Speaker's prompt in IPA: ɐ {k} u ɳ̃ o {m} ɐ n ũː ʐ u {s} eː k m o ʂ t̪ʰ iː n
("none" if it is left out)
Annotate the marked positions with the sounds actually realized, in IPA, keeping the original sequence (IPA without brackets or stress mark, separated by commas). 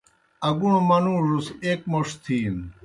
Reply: ɡ, m, s